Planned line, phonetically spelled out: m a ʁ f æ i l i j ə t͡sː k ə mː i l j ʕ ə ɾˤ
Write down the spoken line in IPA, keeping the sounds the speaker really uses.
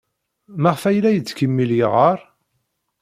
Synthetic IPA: m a ʁ f æ j l æ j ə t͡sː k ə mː i l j ʁ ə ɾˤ